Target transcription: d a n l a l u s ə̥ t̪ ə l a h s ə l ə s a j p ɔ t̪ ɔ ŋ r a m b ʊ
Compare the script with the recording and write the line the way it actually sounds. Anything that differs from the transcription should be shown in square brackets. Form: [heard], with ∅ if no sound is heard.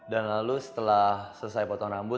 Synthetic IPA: d a n l a l u s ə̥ t̪ ə l a h s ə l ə s a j p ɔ t̪ ɔ ŋ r a m b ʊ

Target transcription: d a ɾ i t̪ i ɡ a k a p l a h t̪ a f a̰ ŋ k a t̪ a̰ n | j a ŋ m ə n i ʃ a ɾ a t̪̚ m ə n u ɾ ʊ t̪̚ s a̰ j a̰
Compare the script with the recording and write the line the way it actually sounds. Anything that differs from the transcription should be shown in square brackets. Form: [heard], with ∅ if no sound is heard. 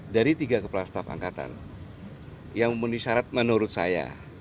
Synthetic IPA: d a ɾ i t̪ i ɡ a k [ə] p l a [s] t̪ a f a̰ ŋ k a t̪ a̰ n | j a ŋ m ə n i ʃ a ɾ a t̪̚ m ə n u ɾ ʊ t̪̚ s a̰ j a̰

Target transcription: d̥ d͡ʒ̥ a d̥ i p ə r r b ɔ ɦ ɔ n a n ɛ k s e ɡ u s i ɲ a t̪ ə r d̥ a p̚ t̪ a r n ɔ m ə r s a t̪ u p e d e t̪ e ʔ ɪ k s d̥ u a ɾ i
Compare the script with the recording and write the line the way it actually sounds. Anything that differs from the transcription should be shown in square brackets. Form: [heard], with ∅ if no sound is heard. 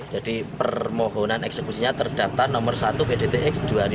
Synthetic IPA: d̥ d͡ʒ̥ a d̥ i p ə r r [m] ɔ ɦ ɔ n a n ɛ k s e [k] u s i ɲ a t̪ ə r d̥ a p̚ t̪ a r n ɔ m ə r s a t̪ u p e d e t̪ e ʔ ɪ k s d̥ u a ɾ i

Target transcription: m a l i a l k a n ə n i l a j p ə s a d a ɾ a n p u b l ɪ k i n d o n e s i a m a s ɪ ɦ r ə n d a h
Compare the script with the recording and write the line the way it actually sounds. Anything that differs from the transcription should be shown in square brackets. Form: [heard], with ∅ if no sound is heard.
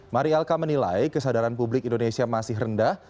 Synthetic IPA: m a [ɾ] i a l k a [m] ə n i l a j [k] ə s a d a ɾ a n p u b l ɪ k i n d o n e s i a m a s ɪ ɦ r ə n d a h

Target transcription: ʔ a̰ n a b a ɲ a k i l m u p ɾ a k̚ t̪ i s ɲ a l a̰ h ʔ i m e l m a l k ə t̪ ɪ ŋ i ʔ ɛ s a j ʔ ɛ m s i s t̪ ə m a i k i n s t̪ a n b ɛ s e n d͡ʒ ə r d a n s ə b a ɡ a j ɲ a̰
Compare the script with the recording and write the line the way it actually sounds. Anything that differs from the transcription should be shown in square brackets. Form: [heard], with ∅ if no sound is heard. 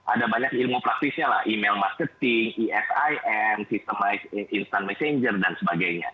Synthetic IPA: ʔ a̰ [d] a b a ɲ a k i l m u p ɾ a k̚ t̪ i s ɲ a l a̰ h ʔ i m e l m a [r] k ə t̪ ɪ ŋ i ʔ ɛ s a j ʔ ɛ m s i s t̪ ə m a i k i n s t̪ a n [m] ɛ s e [ɲ] d͡ʒ ə r d a n s ə b a ɡ a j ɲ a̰

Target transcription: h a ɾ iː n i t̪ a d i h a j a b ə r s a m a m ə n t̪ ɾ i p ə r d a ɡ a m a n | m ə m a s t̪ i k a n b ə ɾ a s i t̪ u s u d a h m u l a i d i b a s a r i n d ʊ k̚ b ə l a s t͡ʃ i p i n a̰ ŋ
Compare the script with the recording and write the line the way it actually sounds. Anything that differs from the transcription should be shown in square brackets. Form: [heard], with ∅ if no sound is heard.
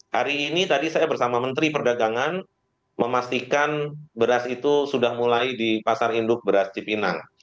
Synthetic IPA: h a ɾ iː n i t̪ a d i [s] a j a b ə r s a m a m ə n t̪ ɾ i p ə r d a ɡ a [ŋ] a n | m ə m a s t̪ i k a n b ə ɾ a s i t̪ u s u d a h m u l a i d i [p] a s a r i n d ʊ k̚ b ə [ɾ] a s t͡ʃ i p i n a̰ ŋ

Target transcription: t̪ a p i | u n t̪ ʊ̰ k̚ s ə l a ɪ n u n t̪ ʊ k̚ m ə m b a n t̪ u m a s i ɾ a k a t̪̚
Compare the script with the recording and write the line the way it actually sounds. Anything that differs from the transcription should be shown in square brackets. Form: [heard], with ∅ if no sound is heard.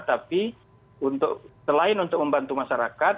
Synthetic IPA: t̪ a p i | u n t̪ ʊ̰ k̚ s ə l a ɪ n u n t̪ ʊ k̚ m ə m b a n t̪ u m a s [a] ɾ a k a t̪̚

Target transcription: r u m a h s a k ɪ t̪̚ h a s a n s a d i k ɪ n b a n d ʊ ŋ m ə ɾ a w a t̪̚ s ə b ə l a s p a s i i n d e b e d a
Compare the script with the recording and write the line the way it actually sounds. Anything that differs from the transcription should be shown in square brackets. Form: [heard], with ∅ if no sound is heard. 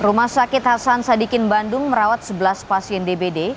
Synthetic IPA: r u m a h s a k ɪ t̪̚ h a s a n s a d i k ɪ n b a n d ʊ ŋ m ə ɾ a w a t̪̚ s ə b ə l a s p a s i [ɛ] n d e b e d [e]

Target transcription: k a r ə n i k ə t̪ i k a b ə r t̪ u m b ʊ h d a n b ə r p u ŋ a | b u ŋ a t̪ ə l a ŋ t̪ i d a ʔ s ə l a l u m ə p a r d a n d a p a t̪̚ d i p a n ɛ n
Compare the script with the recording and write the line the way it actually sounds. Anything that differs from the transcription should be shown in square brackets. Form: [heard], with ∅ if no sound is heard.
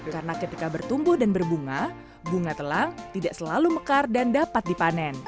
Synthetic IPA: k a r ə n [a] k ə t̪ i k a b ə r t̪ u m b ʊ h d a n b ə r [b] u ŋ a | b u ŋ a t̪ ə l a ŋ t̪ i d a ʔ s ə l a l u m ə [k] a r d a n d a p a t̪̚ d i p a n ɛ n

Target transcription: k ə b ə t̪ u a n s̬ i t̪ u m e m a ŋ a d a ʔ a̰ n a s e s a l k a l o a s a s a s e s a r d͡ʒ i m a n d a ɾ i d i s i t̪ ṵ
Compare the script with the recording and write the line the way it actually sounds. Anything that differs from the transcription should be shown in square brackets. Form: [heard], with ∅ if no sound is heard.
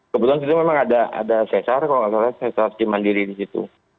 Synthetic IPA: k ə b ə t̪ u a n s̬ i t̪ u m e m a ŋ a d a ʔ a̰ [d] a s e s a [r] k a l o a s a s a s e s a r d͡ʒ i m a n d [i] ɾ i d i s i t̪ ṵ

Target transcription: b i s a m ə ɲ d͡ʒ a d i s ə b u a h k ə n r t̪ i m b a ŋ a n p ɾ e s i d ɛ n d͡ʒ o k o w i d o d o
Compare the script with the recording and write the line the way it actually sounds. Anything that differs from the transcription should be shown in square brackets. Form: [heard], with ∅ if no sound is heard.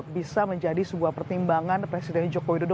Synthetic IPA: b i s a m ə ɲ d͡ʒ a d i s ə b u a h [p] ə [∅] r t̪ i m b a ŋ a n p ɾ e s i d ɛ n d͡ʒ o k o w i d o d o

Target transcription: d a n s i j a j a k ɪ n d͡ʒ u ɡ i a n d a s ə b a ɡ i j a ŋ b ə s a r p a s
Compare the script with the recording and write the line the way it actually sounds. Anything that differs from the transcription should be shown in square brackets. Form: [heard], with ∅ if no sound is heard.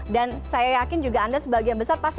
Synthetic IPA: d a n s [a] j a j a k ɪ n d͡ʒ u ɡ [a] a n d a s ə b a ɡ i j a [n] b ə s a r p a s

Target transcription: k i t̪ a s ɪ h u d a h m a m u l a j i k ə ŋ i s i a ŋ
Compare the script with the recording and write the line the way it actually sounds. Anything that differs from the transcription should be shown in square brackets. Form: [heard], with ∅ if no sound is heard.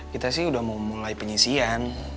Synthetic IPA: k i t̪ a s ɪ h u d a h m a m u l a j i [p] ə [ɲ] i s i a [n]

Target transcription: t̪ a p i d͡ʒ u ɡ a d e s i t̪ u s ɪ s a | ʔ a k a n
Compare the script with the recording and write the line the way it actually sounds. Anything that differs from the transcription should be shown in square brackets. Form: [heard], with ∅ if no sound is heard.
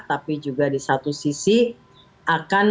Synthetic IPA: t̪ a p i d͡ʒ u ɡ a d [i] s [a] t̪ u s [i] s [i] | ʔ a k a n

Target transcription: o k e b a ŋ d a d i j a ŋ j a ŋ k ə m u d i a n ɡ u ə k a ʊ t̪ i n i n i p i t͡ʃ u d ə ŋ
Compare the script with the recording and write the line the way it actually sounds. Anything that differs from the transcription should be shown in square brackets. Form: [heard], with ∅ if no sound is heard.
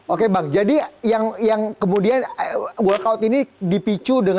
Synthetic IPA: o k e b a ŋ [d͡ʒ] a d i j a ŋ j a ŋ k ə m u d i a n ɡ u [a] k a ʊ t̪ i n i [d] i p i t͡ʃ u d ə ŋ

